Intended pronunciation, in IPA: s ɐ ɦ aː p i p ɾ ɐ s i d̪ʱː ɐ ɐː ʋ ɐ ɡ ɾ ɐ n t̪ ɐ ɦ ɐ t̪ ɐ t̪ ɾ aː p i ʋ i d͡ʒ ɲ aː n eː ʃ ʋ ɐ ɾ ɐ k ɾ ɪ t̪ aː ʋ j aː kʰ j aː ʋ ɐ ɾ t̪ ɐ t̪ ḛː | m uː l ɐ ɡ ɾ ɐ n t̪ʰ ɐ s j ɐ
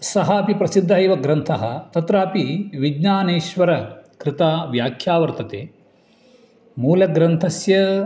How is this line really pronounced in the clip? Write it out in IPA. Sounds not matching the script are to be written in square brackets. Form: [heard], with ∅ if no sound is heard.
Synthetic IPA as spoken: s ɐ ɦ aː p i p ɾ ɐ s i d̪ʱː ɐ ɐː ʋ ɐ ɡ ɾ ɐ n [t̪ʰ] ɐ ɦ ɐ t̪ ɐ t̪ ɾ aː p i ʋ i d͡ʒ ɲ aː n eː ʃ ʋ ɐ ɾ ɐ k ɾ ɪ t̪ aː ʋ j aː kʰ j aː ʋ ɐ ɾ t̪ ɐ t̪ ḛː | m uː l ɐ ɡ ɾ ɐ n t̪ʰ ɐ s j ɐ